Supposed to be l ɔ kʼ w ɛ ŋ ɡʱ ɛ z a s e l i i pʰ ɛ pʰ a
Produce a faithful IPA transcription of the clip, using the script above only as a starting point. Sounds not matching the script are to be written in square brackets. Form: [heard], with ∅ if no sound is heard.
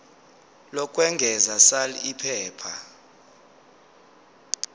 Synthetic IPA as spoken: l ɔ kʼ w ɛ ŋ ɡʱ ɛ z a s [a] l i i pʰ [ɛː] pʰ a

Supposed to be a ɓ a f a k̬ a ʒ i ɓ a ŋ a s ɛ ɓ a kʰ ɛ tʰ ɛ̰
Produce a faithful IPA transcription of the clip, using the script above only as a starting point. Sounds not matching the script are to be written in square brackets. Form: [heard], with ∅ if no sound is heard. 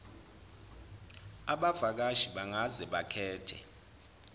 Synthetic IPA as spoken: a ɓ a [v] a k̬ a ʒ i ɓ a ŋ a [z] ɛ ɓ a kʰ [ɛː] tʰ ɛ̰

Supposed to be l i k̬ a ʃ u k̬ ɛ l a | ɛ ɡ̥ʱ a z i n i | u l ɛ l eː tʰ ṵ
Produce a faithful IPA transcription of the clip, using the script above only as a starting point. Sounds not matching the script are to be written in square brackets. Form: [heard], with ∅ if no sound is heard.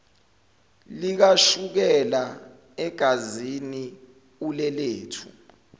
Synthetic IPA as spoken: l i k̬ a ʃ u k̬ ɛ l a | ɛ ɡ̥ʱ a z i n i | u l ɛ l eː tʰ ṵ

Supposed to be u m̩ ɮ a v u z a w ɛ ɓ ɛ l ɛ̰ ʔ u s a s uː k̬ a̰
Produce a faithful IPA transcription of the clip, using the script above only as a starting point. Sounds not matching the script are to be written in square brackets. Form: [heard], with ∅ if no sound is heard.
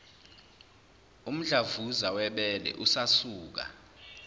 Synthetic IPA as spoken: u m̩ ɮ a v u z a w ɛ ɓ ɛ l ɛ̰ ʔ u s a s uː k̬ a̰

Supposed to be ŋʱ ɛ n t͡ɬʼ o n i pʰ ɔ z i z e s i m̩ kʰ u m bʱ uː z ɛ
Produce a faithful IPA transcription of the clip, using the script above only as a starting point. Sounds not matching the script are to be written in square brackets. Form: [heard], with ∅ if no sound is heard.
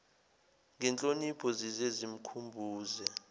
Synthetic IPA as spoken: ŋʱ ɛ n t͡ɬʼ o n i pʰ ɔ z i z e [z] i m̩ kʰ u m bʱ uː z ɛ

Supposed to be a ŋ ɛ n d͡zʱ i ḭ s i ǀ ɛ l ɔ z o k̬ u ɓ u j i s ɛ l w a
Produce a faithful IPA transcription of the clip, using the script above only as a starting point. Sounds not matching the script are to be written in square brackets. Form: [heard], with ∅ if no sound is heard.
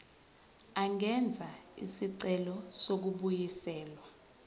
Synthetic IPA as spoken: a ŋ ɛ n d͡zʱ [a] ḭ s i ǀ ɛ l ɔ [s] o k̬ u ɓ u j i s [ɛː] l w a

